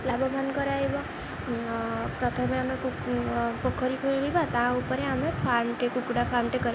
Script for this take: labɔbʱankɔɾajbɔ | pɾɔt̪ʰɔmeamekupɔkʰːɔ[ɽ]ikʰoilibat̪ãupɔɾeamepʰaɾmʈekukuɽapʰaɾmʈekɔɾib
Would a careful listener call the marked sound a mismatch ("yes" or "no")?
yes